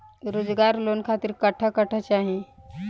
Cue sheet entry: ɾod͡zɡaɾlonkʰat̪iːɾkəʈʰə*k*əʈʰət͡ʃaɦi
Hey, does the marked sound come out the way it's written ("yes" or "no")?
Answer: yes